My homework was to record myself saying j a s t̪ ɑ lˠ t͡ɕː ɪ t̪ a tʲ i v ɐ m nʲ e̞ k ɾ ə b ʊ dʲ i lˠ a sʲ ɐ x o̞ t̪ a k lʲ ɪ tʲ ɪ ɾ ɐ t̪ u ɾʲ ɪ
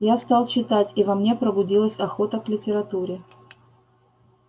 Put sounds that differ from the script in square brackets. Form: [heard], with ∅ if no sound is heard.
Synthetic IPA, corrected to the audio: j a s t̪ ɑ lˠ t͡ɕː ɪ t̪ a tʲ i v ɐ m nʲ e̞ [p] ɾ ə b ʊ dʲ i lˠ [ə] sʲ ɐ x o̞ t̪ [ə] k lʲ ɪ tʲ ɪ ɾ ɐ t̪ u ɾʲ ɪ